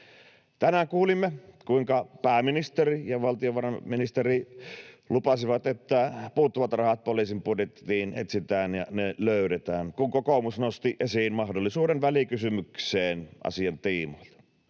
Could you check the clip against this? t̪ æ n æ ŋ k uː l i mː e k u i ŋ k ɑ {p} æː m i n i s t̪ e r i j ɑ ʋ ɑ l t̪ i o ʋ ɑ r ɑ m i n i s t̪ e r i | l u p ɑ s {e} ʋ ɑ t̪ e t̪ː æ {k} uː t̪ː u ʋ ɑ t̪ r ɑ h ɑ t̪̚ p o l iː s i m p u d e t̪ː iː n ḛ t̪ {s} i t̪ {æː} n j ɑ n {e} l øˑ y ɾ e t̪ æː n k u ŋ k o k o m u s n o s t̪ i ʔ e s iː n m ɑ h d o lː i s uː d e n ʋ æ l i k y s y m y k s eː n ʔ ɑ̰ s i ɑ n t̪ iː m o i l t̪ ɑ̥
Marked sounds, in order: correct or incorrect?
correct, incorrect: i, incorrect: p, correct, correct, correct

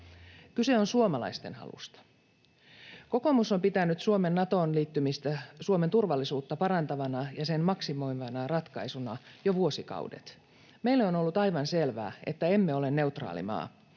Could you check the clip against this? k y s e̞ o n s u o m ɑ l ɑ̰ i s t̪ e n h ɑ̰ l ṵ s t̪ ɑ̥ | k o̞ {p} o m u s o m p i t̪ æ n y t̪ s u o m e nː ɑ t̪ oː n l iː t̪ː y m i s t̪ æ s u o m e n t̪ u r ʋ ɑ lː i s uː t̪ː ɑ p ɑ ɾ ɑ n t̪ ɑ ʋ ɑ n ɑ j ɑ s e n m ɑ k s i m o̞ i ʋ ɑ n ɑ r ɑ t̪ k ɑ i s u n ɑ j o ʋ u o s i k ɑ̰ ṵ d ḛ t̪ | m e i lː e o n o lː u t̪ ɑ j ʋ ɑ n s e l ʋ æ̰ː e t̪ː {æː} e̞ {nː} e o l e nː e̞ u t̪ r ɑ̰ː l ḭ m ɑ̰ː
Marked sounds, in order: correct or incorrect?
incorrect: k, incorrect: æ, incorrect: mː

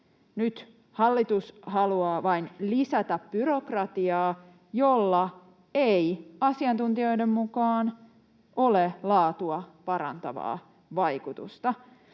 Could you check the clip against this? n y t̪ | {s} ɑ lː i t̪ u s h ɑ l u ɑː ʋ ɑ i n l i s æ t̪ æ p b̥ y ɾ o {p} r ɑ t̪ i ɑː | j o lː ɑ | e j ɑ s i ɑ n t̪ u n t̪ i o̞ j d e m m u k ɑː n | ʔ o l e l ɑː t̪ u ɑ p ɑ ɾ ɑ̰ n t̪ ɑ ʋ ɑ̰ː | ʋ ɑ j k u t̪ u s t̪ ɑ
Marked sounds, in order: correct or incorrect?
incorrect: h, incorrect: k

